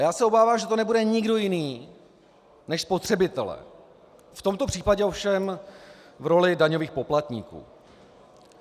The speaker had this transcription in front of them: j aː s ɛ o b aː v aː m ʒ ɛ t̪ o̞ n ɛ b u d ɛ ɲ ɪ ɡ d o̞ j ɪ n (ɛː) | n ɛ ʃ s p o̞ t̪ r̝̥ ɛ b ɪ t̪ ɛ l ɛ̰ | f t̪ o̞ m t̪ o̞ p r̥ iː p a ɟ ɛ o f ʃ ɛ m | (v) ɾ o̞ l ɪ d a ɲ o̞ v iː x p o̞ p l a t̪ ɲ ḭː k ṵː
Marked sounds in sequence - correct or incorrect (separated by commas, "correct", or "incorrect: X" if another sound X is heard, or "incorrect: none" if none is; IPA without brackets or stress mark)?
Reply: incorrect: iː, correct